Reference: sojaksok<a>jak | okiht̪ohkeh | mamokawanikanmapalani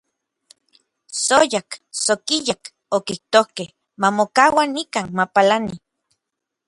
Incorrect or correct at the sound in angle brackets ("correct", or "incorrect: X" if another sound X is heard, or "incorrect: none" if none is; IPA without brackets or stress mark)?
incorrect: i